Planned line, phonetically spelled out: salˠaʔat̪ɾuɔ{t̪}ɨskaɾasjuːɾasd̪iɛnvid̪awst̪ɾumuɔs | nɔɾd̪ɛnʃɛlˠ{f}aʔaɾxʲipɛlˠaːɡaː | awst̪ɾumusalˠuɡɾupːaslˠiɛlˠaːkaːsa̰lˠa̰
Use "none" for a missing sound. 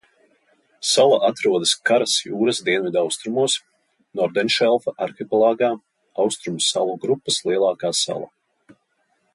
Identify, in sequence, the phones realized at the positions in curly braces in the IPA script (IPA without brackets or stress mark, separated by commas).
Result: d̪, f